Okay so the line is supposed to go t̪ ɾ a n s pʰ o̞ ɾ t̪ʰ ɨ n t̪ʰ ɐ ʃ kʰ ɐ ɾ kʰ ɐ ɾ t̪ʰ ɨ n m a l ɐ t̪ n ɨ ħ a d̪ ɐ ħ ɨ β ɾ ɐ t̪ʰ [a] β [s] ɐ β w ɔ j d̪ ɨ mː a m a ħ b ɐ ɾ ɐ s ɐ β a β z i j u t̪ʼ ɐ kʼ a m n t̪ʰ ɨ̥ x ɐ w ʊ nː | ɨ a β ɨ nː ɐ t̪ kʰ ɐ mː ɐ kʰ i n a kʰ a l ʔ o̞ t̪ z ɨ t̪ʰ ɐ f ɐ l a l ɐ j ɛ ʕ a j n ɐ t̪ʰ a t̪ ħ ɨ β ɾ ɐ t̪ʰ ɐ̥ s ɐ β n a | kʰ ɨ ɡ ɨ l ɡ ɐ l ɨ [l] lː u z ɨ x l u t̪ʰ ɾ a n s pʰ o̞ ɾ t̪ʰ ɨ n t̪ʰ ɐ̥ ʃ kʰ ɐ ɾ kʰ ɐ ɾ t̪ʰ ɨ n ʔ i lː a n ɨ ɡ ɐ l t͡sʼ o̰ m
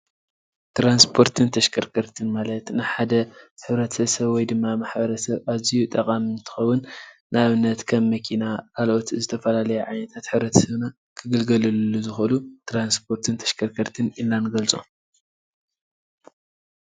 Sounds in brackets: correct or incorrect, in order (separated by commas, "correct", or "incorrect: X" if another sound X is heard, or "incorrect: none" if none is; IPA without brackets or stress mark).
incorrect: ɐ, correct, correct